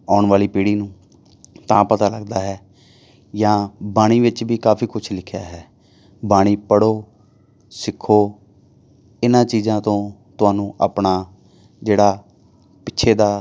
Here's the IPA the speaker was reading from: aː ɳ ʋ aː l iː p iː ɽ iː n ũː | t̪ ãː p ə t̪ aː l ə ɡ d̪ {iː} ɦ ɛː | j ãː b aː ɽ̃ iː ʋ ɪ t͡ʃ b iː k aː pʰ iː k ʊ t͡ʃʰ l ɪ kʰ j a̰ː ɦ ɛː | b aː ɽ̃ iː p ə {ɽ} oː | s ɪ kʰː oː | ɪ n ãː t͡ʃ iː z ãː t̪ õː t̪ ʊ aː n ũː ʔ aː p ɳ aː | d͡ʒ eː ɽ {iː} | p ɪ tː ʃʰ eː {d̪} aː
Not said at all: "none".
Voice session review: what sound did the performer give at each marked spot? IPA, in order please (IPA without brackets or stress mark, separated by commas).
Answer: aː, ɽ, aː, d̪